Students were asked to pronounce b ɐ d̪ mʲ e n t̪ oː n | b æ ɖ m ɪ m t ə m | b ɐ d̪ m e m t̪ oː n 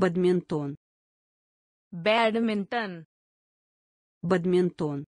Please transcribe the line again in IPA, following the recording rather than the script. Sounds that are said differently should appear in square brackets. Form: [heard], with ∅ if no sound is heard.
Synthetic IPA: b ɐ d̪ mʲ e n t̪ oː n | b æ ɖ m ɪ [n] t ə [n] | b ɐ d̪ m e [n] t̪ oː n